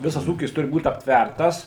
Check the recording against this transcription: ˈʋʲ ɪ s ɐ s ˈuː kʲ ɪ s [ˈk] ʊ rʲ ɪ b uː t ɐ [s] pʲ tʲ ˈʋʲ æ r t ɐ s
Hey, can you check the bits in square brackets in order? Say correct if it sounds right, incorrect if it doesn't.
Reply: incorrect: t, incorrect: none

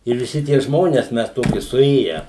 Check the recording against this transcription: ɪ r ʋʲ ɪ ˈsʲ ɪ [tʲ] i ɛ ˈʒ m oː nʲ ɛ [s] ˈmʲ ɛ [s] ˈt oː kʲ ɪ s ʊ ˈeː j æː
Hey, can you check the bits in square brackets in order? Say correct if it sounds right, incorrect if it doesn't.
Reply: correct, correct, correct

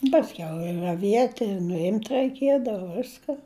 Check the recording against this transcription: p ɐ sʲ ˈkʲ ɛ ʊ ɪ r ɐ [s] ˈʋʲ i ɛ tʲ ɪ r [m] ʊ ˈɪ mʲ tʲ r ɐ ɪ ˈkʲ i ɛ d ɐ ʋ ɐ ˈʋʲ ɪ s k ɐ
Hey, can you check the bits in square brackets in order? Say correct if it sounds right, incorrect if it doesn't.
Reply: incorrect: none, incorrect: n

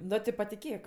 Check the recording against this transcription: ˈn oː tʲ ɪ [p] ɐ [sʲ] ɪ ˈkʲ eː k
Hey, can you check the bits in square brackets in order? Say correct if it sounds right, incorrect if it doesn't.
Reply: correct, incorrect: tʲ

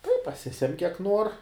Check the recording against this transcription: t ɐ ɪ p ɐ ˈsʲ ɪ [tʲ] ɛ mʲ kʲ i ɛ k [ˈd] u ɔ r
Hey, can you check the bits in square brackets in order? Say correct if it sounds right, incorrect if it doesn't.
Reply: incorrect: sʲ, incorrect: n

